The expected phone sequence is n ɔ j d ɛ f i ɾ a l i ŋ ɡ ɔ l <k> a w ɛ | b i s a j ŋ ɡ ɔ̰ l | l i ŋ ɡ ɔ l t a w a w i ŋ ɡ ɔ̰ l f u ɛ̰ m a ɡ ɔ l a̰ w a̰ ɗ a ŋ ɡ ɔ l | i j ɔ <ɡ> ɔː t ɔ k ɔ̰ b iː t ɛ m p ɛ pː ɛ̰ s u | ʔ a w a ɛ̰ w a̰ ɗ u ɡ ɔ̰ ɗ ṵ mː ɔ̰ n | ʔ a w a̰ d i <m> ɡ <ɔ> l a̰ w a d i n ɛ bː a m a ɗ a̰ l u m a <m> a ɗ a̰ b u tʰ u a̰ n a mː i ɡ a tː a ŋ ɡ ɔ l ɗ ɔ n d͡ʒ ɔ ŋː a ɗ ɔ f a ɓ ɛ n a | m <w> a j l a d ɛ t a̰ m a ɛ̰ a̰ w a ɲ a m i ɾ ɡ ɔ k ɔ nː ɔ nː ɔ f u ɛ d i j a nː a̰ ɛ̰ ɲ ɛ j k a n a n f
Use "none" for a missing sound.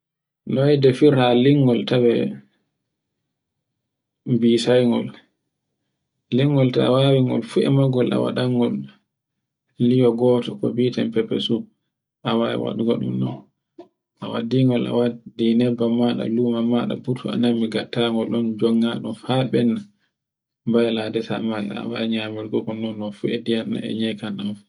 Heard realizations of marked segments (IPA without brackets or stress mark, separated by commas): t, ɡ, ŋ, ɔ, m, b